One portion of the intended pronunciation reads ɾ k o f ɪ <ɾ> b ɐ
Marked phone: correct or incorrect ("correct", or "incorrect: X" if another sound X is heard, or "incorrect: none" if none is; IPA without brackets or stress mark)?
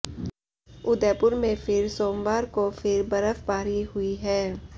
correct